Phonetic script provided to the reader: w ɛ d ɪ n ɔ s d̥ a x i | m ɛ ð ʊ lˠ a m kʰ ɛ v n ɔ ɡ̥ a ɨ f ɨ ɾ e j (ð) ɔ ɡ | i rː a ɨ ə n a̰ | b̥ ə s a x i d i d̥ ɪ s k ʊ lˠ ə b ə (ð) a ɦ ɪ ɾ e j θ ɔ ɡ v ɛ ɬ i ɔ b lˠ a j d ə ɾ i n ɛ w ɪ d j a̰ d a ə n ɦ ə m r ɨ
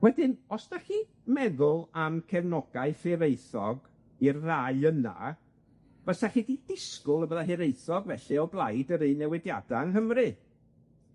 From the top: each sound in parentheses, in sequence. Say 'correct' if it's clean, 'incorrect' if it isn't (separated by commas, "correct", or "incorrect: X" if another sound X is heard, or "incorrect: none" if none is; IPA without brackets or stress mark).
incorrect: θ, correct